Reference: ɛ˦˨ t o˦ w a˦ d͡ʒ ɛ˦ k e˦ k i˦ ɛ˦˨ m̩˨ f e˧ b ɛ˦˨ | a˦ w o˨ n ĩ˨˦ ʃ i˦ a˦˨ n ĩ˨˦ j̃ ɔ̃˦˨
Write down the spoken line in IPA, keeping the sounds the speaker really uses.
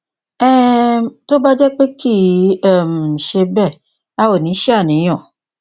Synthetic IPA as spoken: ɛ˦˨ t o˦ b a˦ d͡ʒ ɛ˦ k͡p e˦ k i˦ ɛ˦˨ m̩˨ ʃ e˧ b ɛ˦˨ | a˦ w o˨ n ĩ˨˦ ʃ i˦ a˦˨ n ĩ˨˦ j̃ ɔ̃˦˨